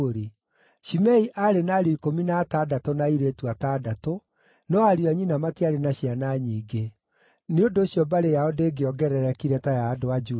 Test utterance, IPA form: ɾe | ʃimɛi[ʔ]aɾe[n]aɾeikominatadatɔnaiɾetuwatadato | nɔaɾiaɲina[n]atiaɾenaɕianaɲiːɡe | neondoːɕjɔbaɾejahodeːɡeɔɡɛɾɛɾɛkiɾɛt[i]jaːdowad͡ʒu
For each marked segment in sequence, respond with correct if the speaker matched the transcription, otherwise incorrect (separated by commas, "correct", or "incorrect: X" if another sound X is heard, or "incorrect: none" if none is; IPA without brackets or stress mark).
correct, correct, incorrect: m, incorrect: a